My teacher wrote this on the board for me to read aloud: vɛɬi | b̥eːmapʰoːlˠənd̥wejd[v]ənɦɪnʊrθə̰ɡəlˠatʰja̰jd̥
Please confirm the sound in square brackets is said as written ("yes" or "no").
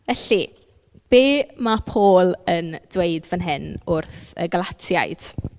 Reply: yes